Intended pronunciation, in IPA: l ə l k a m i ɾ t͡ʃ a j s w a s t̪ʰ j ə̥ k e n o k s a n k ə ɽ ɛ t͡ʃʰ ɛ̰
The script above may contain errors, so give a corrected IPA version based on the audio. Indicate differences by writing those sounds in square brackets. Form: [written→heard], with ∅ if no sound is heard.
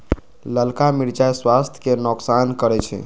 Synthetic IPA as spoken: l ə l k a m i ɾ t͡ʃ a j s w a s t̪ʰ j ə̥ k e n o k s a n k ə [ɽ→ɾ] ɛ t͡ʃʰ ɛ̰